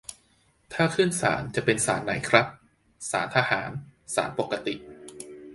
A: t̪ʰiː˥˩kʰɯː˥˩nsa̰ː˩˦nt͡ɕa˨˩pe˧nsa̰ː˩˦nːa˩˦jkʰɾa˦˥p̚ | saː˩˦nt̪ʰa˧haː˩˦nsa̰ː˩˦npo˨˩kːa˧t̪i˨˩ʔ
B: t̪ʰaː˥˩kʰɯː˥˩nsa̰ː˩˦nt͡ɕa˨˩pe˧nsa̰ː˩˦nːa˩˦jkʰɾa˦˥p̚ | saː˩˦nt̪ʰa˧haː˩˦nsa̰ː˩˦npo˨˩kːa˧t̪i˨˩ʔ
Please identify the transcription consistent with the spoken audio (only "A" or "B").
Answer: B